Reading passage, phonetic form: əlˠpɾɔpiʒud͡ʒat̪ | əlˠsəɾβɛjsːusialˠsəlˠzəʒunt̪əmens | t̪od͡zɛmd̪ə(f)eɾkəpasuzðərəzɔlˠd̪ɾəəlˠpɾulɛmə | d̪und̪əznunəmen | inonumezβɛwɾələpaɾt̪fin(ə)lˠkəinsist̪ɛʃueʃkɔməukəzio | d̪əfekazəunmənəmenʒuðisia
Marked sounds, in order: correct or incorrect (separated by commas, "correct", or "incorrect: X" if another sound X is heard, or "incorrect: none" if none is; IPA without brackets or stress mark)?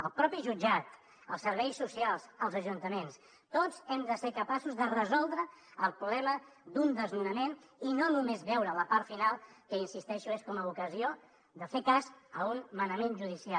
incorrect: s, incorrect: a